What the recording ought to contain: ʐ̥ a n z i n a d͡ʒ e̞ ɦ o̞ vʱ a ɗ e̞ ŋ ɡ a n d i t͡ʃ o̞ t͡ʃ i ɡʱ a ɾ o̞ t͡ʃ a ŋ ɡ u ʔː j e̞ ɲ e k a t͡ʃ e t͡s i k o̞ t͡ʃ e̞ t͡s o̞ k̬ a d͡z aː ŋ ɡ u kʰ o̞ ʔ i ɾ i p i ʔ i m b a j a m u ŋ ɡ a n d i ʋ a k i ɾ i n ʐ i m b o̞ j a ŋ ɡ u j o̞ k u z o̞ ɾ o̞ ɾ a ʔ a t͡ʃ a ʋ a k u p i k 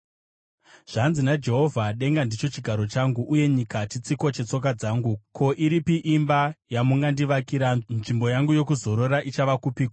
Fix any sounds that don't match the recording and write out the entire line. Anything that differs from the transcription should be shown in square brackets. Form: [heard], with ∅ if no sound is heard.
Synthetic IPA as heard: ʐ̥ a n z i n a d͡ʒ e̞ ɦ o̞ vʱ a ɗ e̞ ŋ ɡ a n d i t͡ʃ o̞ t͡ʃ i ɡʱ a ɾ o̞ t͡ʃ a ŋ ɡ u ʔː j e̞ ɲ [i] k a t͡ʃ [i] t͡s i k o̞ t͡ʃ e̞ t͡s o̞ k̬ a d͡z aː ŋ ɡ u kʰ o̞ ʔ i ɾ i p i ʔ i m b a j a m u ŋ ɡ a n d i ʋ a k i ɾ [a] n ʐ i m b o̞ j a ŋ ɡ u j o̞ k u z o̞ ɾ o̞ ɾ a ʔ [i] t͡ʃ a ʋ a k u p i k